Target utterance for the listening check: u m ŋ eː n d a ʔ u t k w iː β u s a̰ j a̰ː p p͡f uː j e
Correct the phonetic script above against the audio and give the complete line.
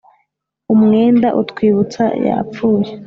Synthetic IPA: u m ŋ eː n d a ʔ u t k w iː β u t͡s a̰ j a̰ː p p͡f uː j e